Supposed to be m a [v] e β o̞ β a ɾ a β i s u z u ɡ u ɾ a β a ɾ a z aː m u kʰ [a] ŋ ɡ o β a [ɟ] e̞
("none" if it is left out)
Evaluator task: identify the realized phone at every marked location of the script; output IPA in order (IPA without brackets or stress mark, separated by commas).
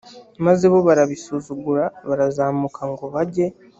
z, a, ɟ